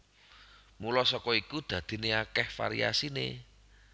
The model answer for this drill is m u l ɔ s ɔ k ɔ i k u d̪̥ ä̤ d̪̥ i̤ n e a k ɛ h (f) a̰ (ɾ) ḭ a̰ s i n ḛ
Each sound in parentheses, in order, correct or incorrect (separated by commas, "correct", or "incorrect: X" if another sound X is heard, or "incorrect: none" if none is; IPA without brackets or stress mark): correct, correct